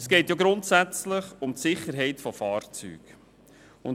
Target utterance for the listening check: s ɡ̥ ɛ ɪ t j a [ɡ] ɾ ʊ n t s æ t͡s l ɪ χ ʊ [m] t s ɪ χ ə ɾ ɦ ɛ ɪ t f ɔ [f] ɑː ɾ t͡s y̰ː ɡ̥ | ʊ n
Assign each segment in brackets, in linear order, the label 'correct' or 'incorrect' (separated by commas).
correct, correct, correct